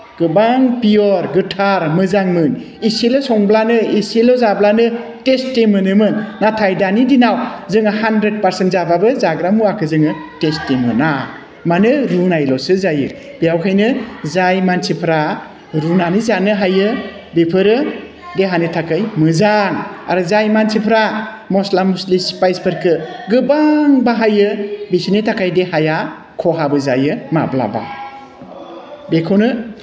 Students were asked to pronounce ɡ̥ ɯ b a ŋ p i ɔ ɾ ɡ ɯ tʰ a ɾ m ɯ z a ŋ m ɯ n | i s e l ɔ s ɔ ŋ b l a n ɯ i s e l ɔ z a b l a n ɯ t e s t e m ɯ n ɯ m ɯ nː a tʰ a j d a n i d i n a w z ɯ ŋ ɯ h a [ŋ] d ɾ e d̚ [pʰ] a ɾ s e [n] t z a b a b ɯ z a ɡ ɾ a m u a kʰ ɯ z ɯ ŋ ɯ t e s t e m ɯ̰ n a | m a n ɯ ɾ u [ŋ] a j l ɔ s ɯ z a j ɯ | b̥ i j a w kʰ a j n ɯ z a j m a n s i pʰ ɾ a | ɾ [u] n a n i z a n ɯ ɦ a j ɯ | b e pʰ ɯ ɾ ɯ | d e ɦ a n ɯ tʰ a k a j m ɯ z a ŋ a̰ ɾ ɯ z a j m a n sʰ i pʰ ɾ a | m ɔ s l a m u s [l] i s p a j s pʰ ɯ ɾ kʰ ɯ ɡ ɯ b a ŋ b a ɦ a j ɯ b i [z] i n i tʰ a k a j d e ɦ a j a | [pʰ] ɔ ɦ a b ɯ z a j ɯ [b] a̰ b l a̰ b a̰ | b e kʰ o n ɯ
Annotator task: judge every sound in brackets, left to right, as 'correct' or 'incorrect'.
incorrect, incorrect, correct, incorrect, correct, correct, incorrect, incorrect, incorrect

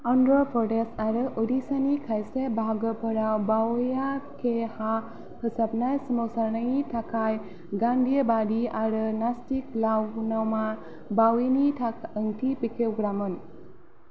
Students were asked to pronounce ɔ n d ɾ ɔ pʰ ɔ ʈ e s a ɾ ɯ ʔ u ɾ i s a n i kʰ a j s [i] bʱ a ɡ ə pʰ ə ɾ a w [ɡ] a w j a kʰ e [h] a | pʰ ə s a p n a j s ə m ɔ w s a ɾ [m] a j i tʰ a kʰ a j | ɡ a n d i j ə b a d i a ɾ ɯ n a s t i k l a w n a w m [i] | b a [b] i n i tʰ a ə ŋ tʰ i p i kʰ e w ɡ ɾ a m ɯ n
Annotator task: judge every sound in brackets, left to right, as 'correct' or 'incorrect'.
incorrect, incorrect, correct, incorrect, incorrect, incorrect

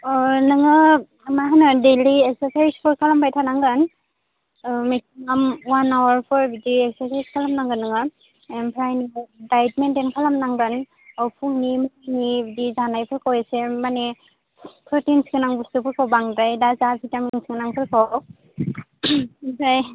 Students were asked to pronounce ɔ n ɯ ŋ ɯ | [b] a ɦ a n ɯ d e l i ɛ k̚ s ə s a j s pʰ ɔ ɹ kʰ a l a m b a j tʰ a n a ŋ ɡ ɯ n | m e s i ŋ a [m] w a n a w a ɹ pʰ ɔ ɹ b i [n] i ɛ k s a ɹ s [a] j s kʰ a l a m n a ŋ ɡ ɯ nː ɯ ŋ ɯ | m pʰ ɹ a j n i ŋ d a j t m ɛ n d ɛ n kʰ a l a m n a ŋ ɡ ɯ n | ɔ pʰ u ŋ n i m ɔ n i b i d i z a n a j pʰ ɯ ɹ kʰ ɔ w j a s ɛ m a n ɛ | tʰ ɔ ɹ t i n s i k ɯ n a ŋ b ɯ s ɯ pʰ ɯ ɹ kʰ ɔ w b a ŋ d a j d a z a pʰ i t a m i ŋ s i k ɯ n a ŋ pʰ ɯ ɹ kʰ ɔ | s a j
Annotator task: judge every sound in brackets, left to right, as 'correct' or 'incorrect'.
incorrect, correct, incorrect, correct

